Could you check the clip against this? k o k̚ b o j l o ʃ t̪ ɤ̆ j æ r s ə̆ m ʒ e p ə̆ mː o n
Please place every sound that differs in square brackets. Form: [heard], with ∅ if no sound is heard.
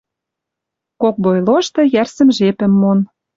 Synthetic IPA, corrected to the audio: k o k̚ b o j l o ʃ t̪ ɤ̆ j æ r s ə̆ m ʒ e p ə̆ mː o n